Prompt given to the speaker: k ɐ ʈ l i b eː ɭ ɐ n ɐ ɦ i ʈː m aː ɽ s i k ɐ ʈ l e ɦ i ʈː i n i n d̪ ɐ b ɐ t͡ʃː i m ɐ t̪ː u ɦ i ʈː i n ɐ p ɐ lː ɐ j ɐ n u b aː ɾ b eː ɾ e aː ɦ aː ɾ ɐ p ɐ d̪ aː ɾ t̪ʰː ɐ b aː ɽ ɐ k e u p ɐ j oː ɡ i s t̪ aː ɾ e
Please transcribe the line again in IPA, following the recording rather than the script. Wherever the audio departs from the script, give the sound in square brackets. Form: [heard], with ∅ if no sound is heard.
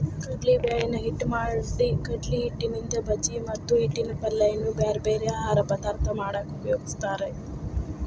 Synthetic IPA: k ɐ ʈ l i b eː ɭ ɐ n ɐ ɦ i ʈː m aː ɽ s i k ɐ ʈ l [i] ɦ i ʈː i n i n d̪ ɐ b ɐ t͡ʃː i m ɐ t̪ː u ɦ i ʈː i n ɐ p ɐ lː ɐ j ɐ n u b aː ɾ b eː ɾ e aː ɦ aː ɾ ɐ p ɐ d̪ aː ɾ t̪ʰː ɐ [m] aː ɽ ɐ k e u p ɐ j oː ɡ i s t̪ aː ɾ e